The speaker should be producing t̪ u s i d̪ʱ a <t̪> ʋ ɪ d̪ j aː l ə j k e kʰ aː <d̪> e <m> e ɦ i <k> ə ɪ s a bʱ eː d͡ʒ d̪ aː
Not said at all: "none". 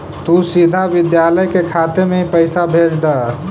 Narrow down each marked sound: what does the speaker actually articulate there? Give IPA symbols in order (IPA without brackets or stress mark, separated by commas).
none, t̪, m, p